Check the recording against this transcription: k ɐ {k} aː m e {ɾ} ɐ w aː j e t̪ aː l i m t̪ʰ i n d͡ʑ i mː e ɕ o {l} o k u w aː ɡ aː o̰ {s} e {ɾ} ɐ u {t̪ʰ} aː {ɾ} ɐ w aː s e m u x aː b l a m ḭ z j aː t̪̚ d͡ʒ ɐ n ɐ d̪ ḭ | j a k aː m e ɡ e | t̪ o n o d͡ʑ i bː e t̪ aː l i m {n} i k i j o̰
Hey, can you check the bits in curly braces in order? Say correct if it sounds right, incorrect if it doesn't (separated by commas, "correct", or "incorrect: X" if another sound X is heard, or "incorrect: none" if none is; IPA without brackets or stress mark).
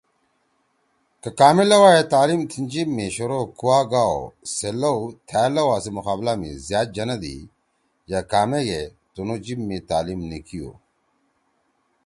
correct, incorrect: l, incorrect: ɾ, correct, incorrect: l, correct, incorrect: l, correct